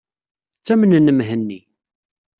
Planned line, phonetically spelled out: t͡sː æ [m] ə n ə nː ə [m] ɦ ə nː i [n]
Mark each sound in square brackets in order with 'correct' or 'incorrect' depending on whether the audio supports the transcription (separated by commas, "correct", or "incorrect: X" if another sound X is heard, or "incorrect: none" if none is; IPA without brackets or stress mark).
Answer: correct, correct, incorrect: none